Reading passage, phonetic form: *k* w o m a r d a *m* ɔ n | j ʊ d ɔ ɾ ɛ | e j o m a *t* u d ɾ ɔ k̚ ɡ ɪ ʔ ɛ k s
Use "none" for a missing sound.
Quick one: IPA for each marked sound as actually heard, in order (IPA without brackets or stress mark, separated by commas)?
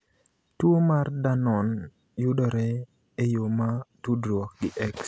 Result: t, n, t